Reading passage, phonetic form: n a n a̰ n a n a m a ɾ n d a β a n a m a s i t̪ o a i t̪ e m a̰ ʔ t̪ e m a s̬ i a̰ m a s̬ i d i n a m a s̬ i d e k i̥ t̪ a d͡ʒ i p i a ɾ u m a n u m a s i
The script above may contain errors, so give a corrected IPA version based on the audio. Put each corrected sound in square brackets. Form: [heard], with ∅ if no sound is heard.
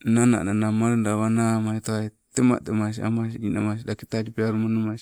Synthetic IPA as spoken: n a n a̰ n a n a m a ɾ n d a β a n a m a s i t̪ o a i t̪ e m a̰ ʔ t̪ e m a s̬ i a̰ m a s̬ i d i n a m a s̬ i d [a] k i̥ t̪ a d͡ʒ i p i a ɾ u m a n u m a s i